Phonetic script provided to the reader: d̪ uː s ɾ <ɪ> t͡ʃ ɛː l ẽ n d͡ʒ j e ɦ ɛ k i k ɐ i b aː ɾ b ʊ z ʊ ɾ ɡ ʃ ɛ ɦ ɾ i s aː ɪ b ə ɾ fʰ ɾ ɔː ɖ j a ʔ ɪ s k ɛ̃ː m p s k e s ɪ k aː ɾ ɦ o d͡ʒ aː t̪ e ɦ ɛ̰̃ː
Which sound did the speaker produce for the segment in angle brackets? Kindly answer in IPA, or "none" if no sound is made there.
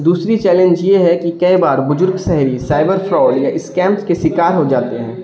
i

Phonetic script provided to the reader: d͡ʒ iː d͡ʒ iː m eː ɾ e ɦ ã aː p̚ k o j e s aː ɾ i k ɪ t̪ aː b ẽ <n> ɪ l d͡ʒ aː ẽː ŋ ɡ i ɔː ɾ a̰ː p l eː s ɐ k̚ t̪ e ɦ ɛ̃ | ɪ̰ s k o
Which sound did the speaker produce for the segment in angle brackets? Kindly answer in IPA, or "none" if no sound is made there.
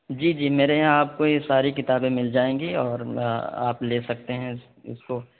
m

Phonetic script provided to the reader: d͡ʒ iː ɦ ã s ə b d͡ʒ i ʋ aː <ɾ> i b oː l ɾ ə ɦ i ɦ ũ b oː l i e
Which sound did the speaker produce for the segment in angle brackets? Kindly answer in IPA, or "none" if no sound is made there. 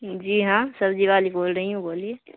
l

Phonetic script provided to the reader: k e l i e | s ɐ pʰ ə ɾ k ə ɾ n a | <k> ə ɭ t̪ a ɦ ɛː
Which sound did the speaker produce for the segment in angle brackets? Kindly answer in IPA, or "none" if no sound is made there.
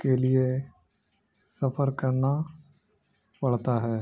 p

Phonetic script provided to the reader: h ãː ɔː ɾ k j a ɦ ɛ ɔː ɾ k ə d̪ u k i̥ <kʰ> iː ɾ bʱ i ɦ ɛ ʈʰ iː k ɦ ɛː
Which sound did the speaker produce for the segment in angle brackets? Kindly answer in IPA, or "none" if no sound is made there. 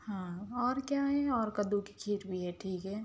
kʰ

